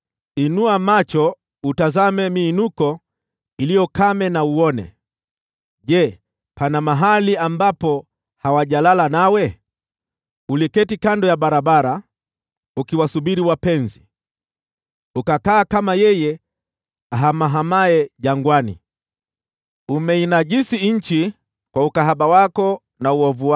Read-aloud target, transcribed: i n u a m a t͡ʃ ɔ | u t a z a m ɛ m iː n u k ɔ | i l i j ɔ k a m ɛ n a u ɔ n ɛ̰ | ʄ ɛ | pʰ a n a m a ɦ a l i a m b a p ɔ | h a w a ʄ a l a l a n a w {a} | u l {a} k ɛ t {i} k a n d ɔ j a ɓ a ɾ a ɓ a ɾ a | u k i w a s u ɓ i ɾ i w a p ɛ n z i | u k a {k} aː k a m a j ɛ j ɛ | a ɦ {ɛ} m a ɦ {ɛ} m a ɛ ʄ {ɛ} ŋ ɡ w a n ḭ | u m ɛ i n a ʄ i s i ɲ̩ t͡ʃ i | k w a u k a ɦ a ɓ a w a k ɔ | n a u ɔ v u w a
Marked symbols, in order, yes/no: no, no, yes, yes, no, no, no

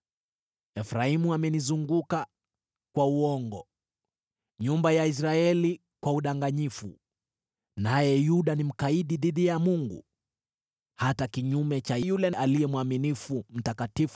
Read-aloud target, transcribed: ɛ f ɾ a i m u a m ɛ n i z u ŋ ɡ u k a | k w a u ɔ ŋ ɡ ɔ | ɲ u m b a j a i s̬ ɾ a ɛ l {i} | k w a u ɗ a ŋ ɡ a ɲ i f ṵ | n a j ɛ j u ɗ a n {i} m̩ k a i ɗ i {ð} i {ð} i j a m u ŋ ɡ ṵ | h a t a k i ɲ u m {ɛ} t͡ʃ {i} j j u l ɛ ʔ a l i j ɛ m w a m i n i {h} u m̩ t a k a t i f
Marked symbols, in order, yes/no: yes, yes, yes, yes, yes, no, no

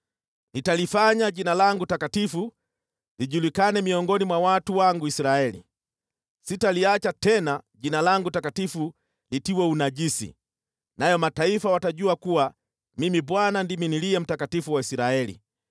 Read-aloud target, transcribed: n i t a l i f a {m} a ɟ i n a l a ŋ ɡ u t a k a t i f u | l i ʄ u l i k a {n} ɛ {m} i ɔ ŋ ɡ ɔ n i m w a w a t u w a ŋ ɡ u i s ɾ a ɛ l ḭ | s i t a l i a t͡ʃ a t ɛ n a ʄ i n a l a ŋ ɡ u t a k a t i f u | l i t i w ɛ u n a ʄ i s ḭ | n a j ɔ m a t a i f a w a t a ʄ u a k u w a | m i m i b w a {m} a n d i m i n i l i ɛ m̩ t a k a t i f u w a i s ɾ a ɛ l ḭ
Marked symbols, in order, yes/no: no, yes, yes, no

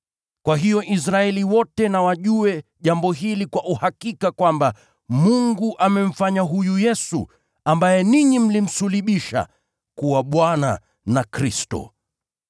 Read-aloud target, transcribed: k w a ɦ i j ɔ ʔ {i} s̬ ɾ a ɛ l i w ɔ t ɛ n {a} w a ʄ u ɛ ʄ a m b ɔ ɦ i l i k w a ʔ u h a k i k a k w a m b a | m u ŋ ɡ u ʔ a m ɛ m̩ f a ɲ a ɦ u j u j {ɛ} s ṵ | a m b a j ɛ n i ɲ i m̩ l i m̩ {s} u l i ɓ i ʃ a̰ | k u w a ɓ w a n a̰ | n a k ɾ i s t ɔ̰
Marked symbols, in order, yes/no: yes, yes, yes, yes

